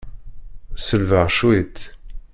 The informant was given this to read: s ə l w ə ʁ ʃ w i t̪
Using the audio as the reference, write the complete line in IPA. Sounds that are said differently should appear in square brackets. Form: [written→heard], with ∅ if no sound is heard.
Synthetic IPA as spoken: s ə l [w→v] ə ʁ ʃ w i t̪